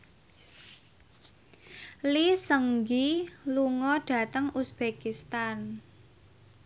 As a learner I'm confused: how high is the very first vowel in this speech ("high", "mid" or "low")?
high